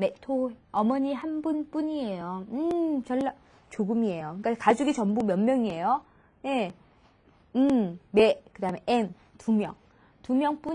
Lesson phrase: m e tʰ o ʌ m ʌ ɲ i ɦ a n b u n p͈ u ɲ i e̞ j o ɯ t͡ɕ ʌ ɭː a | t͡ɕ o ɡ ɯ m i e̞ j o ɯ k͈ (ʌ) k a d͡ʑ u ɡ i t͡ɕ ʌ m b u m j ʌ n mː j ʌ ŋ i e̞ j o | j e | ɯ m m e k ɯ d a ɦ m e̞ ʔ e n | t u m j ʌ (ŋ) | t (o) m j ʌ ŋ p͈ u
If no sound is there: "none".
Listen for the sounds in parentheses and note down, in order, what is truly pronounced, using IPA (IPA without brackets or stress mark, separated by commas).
a, ŋ, u